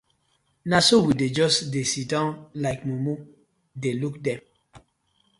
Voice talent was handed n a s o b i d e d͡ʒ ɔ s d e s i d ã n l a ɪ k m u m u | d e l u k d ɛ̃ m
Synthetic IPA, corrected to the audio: n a s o w i d e d͡ʒ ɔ s d e s i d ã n l a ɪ k m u m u | d e l u k d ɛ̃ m